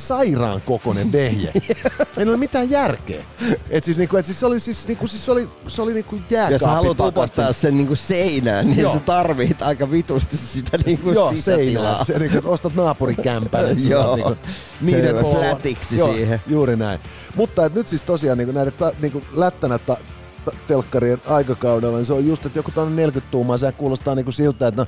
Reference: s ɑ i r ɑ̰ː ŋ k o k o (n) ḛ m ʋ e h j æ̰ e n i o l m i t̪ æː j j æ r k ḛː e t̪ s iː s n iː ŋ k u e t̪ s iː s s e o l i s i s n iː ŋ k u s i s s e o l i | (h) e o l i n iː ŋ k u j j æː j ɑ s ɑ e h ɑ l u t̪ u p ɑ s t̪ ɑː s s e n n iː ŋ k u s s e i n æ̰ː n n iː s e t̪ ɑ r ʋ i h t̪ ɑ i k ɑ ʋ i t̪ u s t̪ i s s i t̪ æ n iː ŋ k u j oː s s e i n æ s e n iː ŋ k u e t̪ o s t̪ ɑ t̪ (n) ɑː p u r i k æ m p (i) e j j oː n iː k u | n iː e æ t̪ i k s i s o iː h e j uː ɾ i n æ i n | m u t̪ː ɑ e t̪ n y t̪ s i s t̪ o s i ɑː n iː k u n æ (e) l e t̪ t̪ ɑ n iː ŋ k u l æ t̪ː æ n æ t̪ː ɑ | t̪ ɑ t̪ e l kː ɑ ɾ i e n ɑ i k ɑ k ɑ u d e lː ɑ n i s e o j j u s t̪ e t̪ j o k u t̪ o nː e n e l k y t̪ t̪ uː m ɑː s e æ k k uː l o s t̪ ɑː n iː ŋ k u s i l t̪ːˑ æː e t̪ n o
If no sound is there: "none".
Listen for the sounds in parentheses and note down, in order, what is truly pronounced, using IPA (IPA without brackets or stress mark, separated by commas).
n, s, n, æ, i